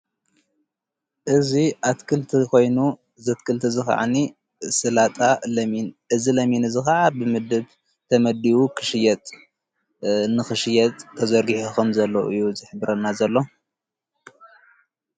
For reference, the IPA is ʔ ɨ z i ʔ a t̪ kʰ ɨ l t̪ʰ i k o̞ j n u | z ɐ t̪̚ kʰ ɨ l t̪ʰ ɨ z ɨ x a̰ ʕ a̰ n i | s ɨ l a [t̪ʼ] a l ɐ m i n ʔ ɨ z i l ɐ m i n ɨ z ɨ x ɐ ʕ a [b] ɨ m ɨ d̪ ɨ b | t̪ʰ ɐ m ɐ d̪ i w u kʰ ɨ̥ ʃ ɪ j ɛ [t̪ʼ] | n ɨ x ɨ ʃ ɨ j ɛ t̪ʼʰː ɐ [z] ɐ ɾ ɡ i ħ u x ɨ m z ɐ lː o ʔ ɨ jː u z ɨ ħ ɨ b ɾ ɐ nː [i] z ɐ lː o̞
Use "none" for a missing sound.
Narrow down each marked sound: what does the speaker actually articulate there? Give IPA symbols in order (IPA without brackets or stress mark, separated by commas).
t̪ʼ, b, t̪ʼ, z, a